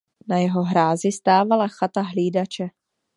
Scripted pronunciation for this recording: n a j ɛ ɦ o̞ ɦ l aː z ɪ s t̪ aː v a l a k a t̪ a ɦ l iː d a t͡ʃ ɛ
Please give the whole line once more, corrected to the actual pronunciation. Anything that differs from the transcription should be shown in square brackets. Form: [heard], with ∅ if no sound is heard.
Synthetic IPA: n a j ɛ ɦ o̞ ɦ [ɾ] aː z ɪ s t̪ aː v a l a [x] a t̪ a ɦ l iː d a t͡ʃ ɛ